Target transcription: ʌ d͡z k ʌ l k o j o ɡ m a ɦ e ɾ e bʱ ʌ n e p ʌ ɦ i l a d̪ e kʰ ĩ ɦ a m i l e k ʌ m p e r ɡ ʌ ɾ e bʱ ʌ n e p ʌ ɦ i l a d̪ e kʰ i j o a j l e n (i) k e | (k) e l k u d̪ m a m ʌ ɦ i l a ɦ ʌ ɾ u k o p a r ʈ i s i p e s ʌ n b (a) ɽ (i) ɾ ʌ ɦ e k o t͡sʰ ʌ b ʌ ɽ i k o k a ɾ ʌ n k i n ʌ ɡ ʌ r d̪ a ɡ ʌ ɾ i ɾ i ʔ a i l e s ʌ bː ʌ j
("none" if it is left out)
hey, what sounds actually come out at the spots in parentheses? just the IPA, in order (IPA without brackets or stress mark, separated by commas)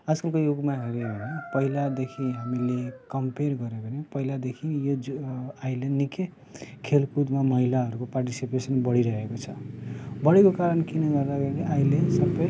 i, kʰ, ʌ, i